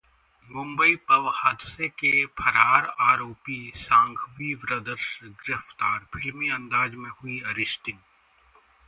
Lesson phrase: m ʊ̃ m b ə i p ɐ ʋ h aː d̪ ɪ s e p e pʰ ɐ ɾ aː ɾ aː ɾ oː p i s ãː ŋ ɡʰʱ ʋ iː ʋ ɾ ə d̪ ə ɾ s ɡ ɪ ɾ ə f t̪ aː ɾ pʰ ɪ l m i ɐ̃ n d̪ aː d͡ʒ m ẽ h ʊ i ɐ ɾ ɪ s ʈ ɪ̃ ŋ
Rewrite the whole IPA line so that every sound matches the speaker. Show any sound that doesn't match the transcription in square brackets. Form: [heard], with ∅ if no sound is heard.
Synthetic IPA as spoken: m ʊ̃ m b ə i p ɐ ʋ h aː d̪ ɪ s e [k] e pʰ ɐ ɾ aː ɾ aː ɾ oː p i s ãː ŋ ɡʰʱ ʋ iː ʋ ɾ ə d̪ ə ɾ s ɡ ɪ ɾ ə f t̪ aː ɾ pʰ ɪ l m i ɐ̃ n d̪ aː d͡ʒ m ẽ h ʊ i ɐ ɾ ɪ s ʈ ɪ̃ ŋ